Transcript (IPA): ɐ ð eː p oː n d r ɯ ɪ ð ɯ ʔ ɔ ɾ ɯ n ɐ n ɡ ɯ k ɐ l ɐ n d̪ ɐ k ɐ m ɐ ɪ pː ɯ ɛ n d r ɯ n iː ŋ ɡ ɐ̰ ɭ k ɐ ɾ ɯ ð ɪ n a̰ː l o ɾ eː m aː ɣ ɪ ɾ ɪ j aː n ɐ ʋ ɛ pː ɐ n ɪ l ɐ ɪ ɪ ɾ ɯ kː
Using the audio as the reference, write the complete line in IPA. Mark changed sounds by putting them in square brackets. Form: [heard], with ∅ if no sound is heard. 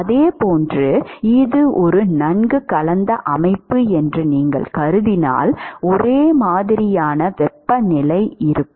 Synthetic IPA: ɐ ð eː p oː n d r ɯ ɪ ð ɯ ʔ ɔ ɾ ɯ n ɐ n ɡ ɯ k ɐ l ɐ n d̪ ɐ [ʔ] ɐ m ɐ ɪ pː ɯ ɛ n d r ɯ n iː ŋ ɡ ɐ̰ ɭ k ɐ ɾ ɯ ð ɪ n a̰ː l [ɔ] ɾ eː m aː [ð] ɪ ɾ ɪ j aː n ɐ ʋ ɛ pː ɐ n ɪ l ɐ ɪ ɪ ɾ ɯ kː